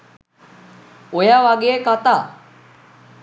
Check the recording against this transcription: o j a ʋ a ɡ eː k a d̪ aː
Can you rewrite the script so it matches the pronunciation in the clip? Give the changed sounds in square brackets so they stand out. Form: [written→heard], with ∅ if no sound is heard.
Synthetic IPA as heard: o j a ʋ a ɡ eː k a [d̪→t̪] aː